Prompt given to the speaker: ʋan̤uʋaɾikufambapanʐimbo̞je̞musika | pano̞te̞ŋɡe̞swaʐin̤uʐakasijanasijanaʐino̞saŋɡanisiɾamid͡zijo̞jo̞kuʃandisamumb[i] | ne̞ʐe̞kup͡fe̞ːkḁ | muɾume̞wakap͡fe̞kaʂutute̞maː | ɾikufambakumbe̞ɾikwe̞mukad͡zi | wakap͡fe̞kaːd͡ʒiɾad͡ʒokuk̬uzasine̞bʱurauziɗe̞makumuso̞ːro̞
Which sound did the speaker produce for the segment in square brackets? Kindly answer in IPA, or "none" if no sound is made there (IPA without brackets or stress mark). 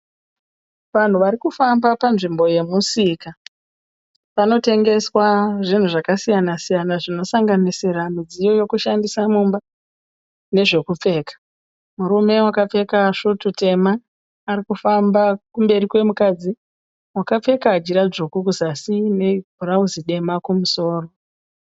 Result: a